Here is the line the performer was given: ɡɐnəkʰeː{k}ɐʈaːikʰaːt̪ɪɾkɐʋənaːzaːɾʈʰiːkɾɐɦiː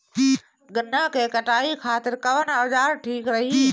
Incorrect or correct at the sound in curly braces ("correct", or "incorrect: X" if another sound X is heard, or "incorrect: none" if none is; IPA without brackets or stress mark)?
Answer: correct